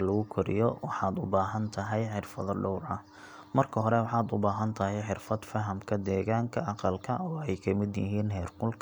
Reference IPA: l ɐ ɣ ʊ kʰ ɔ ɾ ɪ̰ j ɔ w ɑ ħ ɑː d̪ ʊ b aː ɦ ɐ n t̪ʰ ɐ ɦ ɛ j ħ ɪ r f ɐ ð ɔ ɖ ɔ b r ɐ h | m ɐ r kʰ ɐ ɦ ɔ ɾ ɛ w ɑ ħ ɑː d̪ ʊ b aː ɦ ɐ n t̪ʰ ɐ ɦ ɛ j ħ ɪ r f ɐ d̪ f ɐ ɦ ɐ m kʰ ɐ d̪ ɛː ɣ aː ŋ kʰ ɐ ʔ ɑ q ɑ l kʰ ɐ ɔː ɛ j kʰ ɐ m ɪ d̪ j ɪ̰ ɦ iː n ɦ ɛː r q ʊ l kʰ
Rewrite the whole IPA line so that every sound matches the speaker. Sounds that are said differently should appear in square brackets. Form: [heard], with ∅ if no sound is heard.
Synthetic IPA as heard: l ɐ ɣ ʊ kʰ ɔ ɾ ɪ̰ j ɔ w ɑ ħ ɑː d̪ ʊ b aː ɦ ɐ n t̪ʰ ɐ ɦ ɛ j ħ ɪ r f ɐ ð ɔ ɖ ɔ [w] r ɐ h | m ɐ r kʰ ɐ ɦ ɔ ɾ ɛ w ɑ ħ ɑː d̪ ʊ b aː ɦ ɐ n t̪ʰ ɐ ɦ ɛ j ħ ɪ r f ɐ d̪ f ɐ ɦ ɐ m kʰ ɐ d̪ ɛː ɣ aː ŋ kʰ ɐ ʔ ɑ q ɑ l kʰ ɐ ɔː ɛ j kʰ ɐ m ɪ d̪ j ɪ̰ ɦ iː n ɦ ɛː r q ʊ l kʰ

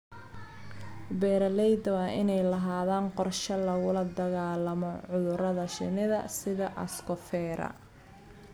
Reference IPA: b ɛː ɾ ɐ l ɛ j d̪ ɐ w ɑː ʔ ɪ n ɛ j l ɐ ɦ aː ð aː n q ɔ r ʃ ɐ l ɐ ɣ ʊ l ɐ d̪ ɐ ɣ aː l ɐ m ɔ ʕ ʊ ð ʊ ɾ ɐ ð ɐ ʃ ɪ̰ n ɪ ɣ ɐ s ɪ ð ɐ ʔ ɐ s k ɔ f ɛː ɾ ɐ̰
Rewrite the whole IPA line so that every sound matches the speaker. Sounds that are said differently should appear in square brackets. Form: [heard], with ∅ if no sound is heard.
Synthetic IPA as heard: b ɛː ɾ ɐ l ɛ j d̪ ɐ w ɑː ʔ ɪ n ɛ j l ɐ ɦ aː ð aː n q ɔ r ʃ ɐ l ɐ ɣ ʊ l ɐ d̪ ɐ ɣ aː l ɐ m ɔ ʕ ʊ ð ʊ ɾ ɐ ð ɐ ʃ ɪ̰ n ɪ [ð] ɐ s ɪ ð ɐ ʔ ɐ s k ɔ f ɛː ɾ ɐ̰

